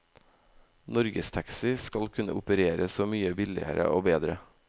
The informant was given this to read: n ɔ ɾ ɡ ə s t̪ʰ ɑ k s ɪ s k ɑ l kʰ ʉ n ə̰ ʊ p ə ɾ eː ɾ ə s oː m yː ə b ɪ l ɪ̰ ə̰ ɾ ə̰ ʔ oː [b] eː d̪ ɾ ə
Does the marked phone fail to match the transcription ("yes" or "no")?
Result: no